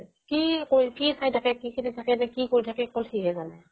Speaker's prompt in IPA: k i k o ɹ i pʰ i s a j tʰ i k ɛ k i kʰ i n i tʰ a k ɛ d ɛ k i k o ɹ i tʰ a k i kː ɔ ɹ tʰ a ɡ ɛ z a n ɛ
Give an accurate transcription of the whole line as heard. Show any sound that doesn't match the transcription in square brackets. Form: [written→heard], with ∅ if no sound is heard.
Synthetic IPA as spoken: k i k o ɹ i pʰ i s a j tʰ [i→a] k ɛ k i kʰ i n i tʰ a k ɛ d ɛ k i k o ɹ i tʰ a k [i→ɛ] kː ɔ [ɹ→l] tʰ [a→i] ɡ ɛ z a n ɛ